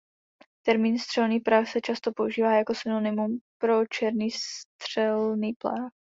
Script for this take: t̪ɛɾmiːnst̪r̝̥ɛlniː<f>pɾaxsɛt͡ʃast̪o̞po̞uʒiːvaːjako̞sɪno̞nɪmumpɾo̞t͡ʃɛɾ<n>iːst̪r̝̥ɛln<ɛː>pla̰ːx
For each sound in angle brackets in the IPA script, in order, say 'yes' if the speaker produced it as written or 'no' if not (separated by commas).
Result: no, yes, no